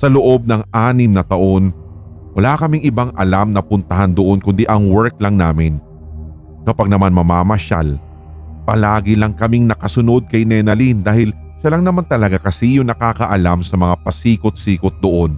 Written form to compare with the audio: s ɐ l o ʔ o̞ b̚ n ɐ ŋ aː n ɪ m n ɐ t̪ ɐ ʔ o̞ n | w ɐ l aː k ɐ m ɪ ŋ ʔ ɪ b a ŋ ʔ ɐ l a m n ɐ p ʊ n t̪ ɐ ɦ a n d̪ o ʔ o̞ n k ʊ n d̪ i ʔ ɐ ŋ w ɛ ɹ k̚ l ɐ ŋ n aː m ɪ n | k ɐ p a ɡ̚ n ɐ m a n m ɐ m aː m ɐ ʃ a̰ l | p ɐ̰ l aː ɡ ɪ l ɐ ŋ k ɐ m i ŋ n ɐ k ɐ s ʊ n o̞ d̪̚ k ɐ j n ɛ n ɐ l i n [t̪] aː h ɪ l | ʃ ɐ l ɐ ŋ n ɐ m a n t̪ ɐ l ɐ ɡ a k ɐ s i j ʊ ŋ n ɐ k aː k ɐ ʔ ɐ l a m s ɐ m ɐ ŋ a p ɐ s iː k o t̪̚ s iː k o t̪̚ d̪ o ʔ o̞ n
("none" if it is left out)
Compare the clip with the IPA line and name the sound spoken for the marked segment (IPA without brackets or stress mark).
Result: d̪